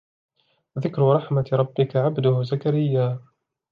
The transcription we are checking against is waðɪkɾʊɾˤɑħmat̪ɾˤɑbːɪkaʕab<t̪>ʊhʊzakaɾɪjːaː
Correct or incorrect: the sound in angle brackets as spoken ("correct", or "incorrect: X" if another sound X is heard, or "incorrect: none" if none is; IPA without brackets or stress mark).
incorrect: d̪